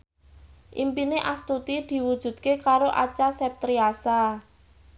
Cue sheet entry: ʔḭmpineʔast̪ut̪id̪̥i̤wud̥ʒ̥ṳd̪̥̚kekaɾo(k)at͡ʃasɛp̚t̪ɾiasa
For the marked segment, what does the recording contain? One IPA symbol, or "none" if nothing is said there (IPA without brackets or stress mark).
ʔ